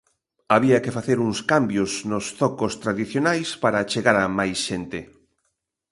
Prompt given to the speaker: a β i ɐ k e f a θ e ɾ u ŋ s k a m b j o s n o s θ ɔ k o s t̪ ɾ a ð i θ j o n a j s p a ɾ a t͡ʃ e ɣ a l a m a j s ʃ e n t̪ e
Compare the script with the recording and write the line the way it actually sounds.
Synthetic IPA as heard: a β i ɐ k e f a θ e ɾ u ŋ s k a m b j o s n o s θ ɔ k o s t̪ ɾ a ð i θ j o n a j s p a ɾ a t͡ʃ e ɣ a ɾ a m a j s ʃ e n t̪ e